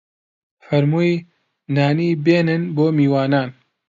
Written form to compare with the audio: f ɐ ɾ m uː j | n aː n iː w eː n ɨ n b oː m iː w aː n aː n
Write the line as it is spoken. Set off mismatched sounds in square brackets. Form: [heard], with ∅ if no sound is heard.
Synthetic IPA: f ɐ ɾ m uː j | n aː n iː [b] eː n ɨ n b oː m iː w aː n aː n